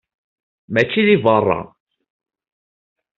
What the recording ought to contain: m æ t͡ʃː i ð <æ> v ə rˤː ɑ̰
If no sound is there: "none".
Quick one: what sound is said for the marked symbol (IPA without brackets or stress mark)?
i